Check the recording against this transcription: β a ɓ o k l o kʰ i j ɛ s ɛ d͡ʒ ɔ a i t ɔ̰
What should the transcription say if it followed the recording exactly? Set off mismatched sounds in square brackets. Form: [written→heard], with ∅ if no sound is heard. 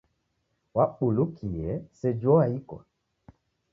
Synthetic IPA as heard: [β→w] a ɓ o [k→∅] l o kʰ i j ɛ s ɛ d͡ʒ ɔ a i [t→k] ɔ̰